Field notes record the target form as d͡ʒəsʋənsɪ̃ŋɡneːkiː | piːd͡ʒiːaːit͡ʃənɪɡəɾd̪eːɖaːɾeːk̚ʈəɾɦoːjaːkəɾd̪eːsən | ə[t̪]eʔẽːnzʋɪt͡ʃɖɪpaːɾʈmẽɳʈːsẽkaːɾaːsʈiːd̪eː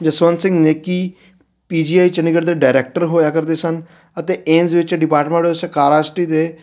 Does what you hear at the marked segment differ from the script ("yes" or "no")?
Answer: no